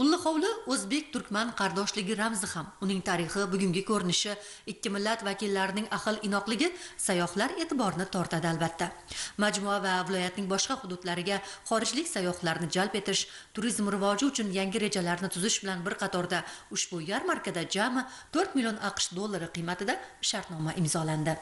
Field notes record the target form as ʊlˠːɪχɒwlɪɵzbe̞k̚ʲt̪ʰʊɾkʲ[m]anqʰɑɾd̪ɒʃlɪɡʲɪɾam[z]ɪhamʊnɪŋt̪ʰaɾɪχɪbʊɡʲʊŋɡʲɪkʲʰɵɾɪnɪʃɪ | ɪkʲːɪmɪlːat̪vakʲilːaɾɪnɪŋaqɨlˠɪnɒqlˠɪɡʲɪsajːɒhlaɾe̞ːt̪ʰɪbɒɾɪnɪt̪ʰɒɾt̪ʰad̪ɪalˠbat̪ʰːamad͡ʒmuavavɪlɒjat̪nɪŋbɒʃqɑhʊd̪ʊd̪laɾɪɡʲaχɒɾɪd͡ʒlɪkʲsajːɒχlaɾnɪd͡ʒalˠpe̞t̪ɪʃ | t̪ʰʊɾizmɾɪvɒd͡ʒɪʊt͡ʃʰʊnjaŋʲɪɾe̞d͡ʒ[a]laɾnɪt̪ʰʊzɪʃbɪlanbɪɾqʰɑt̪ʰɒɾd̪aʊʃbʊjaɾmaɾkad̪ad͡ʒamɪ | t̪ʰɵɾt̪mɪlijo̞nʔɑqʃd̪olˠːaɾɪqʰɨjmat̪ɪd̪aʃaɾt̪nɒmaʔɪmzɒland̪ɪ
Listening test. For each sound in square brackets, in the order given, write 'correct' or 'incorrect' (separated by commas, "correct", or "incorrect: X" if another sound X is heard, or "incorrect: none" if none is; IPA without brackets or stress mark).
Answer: correct, correct, correct